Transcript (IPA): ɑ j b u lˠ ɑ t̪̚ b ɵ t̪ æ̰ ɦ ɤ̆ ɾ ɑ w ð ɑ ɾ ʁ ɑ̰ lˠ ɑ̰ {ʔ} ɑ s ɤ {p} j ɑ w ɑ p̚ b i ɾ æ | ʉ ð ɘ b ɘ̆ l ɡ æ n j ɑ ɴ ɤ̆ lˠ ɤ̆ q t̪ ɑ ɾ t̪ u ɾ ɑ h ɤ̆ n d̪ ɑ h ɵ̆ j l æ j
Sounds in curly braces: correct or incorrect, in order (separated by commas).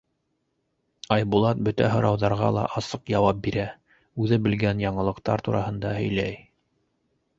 correct, incorrect